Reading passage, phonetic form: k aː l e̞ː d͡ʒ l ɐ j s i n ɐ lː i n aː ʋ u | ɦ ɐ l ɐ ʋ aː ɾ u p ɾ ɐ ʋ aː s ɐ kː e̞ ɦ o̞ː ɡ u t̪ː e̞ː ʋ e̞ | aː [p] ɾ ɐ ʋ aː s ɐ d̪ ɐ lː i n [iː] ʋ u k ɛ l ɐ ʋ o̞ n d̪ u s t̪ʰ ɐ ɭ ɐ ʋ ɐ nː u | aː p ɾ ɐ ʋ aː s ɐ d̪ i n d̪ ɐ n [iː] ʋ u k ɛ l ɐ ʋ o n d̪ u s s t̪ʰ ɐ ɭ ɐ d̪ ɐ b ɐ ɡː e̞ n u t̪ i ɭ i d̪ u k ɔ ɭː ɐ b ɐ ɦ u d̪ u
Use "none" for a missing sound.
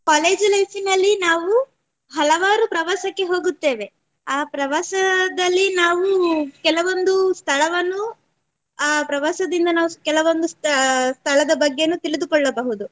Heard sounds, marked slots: p, aː, aː

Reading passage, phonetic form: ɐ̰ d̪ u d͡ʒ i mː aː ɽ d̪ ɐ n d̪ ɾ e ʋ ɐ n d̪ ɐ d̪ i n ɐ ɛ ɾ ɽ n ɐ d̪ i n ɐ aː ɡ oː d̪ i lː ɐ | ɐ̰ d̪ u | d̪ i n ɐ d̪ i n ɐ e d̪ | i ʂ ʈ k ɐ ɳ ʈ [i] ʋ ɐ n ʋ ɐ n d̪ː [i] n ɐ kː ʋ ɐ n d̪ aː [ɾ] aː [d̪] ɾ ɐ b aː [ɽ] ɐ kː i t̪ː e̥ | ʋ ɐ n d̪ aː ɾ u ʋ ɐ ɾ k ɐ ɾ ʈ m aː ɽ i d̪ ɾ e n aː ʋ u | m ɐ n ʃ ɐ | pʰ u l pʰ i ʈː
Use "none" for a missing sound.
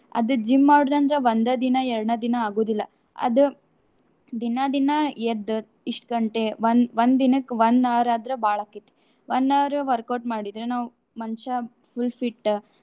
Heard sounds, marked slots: e, i, ɾ, d̪, ɭ

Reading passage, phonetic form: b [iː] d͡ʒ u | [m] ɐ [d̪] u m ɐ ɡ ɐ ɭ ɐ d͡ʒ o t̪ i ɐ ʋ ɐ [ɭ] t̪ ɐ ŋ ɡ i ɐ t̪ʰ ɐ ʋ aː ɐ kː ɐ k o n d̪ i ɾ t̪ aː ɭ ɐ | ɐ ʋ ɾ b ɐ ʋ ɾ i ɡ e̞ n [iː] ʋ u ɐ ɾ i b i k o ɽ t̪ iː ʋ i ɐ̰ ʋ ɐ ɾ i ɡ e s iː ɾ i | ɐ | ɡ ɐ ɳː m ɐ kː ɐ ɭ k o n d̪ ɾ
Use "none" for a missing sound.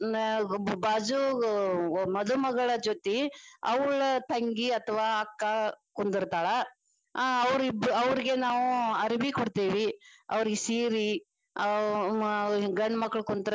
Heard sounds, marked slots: aː, m, d̪, ɭ, aː

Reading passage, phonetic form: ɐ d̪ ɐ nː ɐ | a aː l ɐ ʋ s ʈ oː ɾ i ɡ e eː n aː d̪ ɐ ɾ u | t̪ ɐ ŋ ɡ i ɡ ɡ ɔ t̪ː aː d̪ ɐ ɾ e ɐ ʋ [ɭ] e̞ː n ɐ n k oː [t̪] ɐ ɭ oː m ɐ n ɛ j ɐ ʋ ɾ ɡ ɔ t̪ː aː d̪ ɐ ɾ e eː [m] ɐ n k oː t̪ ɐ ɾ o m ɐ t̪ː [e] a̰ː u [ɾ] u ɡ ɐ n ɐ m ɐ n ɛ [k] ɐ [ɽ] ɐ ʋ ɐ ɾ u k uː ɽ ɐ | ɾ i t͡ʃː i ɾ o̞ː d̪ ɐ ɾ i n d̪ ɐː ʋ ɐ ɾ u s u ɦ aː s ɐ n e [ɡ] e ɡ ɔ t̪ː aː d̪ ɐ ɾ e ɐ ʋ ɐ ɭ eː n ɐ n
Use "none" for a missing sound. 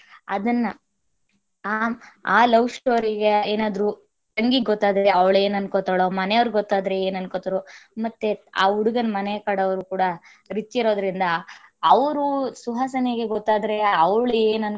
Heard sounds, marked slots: ɭ, t̪, n, e, ɽ, k, ɽ, ɡ

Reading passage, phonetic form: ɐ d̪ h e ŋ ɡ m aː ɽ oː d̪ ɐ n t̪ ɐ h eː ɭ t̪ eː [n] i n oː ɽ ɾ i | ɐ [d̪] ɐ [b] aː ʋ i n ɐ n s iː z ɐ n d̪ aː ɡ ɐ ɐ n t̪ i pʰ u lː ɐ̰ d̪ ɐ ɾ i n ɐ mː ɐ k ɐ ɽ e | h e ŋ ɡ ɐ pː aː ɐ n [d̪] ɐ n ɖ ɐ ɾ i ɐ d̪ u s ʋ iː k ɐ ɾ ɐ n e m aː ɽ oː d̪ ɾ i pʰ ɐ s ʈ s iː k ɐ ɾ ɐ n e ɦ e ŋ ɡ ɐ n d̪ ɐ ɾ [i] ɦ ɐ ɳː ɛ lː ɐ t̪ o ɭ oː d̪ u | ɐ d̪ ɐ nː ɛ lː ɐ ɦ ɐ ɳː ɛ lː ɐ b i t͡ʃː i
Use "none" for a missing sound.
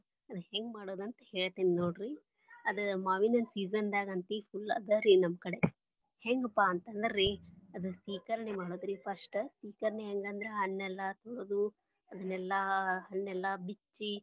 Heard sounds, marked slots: n, d̪, m, t̪, e

